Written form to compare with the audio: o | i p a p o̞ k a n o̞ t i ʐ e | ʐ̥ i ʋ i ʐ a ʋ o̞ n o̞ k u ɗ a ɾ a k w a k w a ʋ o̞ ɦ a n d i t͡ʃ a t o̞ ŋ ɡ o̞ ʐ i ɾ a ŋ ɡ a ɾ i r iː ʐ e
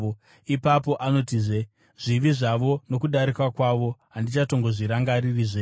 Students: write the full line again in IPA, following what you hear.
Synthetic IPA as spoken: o | i p a p o̞ ʔ a n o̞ t i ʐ e | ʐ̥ i ʋ i ʐ a ʋ o̞ n o̞ k u ɗ a ɾ i k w a k w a ʋ o̞ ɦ a n d i t͡ʃ a t o̞ ŋ ɡ o̞ ʐ i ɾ a ŋ ɡ a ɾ i r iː ʐ e

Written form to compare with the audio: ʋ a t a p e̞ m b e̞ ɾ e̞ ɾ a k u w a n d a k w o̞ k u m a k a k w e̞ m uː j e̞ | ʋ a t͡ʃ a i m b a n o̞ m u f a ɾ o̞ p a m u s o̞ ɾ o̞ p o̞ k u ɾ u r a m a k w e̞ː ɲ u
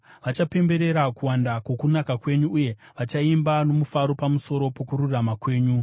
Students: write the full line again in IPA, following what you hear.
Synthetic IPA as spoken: ʋ a t͡ʃ a p e̞ m b e̞ ɾ e̞ ɾ a k u w a n d a k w o̞ k u n a k a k w e̞ ɲ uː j e̞ | ʋ a t͡ʃ a i m b a n o̞ m u f a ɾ o̞ p a m u s o̞ ɾ o̞ p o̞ k u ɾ u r a m a k w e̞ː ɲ u

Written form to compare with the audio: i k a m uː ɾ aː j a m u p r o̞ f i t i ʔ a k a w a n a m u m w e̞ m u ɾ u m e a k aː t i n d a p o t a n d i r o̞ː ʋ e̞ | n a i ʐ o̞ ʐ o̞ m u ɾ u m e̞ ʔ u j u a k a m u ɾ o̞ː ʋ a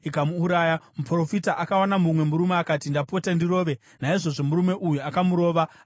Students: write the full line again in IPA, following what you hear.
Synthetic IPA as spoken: i k a m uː ɾ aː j a m u p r o̞ f i t a ʔ a k a w a n a m u m w e̞ m u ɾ u m e a k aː t i n d a p o t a n d i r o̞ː ʋ e̞ | n a i ʐ o̞ ʐ o̞ m u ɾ u m e̞ ʔ u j u a k a m u ɾ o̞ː ʋ a

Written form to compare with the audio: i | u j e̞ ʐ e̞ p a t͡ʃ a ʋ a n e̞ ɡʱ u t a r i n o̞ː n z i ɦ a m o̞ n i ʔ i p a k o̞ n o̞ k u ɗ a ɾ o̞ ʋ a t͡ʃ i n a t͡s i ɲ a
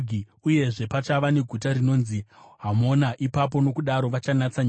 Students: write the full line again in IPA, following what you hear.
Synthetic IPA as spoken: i | u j e̞ ʐ e̞ p a t͡ʃ a ʋ a n e̞ ɡʱ u t a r i n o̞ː n z i ɦ a m o̞ n a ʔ i p a p o̞ n o̞ k u ɗ a ɾ o̞ ʋ a t͡ʃ a n a t͡s a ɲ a

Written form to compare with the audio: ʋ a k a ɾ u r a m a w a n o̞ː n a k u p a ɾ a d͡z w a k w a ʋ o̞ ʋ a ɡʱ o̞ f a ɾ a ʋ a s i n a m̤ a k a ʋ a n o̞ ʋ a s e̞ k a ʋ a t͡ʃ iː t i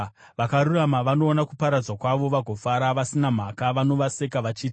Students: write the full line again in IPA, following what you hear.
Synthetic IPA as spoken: ʋ a k a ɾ u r a m a ʋ a n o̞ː n a k u p a ɾ a d͡z w a k w a ʋ o̞ ʋ a ɡʱ o̞ f a ɾ a ʋ a s i n a m̤ a k a ʋ a n o̞ ʋ a s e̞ k a ʋ a t͡ʃ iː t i

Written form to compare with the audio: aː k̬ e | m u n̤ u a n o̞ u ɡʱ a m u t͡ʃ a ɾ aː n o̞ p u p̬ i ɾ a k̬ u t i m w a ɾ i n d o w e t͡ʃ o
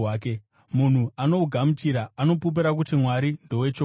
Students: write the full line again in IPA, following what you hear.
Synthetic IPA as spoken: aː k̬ e | m u n̤ u a n o̞ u ɡʱ a m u t͡ʃ i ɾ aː n o̞ p u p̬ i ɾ a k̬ u t i m w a ɾ i n d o w e t͡ʃ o

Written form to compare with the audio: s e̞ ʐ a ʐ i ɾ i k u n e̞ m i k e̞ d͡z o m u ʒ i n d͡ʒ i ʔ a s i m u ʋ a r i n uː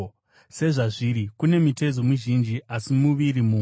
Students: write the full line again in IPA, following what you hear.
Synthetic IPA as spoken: s e̞ ʐ a ʐ i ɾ i k u n e̞ m i t e̞ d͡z o m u ʒ i n d͡ʒ i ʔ a s i m u ʋ i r i m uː

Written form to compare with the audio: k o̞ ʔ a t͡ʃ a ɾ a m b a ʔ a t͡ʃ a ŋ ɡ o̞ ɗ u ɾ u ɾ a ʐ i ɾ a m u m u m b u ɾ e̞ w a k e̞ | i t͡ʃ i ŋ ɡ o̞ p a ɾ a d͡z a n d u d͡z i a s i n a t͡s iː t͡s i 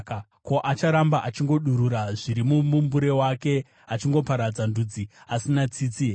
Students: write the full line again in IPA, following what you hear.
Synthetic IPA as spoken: k o̞ ʔ a t͡ʃ a ɾ a m b a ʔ a t͡ʃ i ŋ ɡ o̞ ɗ u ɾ u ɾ a ʐ i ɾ i m u m u m b u ɾ e̞ w a k e̞ | a t͡ʃ i ŋ ɡ o̞ p a ɾ a d͡z a n d u d͡z i a s i n a t͡s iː t͡s i

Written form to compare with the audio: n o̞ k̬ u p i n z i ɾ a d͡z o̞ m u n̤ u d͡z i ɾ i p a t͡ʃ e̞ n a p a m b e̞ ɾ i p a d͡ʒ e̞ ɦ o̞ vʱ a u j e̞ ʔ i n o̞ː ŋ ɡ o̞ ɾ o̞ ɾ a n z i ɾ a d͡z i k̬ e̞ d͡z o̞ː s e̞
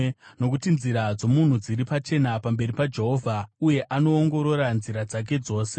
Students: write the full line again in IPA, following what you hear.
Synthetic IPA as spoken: n o̞ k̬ u t i n z i ɾ a d͡z o̞ m u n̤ u d͡z i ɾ i p a t͡ʃ e̞ n a p a m b e̞ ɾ i p a d͡ʒ e̞ ɦ o̞ vʱ a u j e̞ ʔ a n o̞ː ŋ ɡ o̞ ɾ o̞ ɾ a n z i ɾ a d͡z a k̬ e̞ d͡z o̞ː s e̞

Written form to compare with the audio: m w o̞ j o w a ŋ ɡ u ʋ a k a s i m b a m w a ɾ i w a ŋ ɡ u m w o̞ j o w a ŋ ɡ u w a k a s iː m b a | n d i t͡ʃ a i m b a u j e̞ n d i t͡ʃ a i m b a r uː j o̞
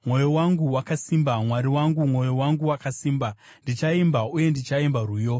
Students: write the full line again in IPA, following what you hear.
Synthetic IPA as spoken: m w o̞ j o w a ŋ ɡ u w a k a s i m b a m w a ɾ i w a ŋ ɡ u m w o̞ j o w a ŋ ɡ u w a k a s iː m b a | n d i t͡ʃ a i m b a u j e̞ n d i t͡ʃ a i m b a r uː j o̞

